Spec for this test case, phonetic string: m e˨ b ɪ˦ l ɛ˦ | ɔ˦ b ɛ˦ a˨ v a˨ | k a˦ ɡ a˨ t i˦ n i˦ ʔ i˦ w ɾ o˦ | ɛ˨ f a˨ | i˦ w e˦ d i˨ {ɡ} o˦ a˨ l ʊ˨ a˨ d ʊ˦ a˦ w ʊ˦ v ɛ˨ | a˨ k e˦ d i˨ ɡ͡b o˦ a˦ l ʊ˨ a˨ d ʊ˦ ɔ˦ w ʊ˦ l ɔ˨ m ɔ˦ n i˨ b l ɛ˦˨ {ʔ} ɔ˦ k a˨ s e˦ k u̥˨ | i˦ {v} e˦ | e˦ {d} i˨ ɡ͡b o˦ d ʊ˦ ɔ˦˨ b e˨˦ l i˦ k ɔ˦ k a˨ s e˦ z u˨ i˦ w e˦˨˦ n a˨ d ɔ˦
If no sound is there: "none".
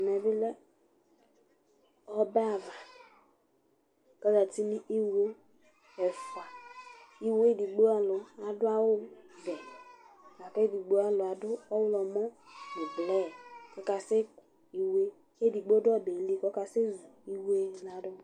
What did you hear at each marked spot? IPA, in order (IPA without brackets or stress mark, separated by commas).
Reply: ɡ͡b, k, w, d